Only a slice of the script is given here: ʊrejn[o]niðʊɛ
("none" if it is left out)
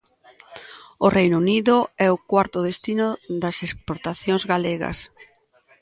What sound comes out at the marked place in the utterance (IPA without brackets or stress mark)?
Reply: u